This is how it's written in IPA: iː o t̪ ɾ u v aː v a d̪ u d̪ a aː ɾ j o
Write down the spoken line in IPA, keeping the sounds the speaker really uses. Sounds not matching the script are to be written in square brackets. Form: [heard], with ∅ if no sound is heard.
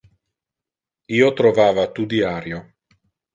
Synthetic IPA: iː o t̪ ɾ [o] v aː v a [t̪] u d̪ [i] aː ɾ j o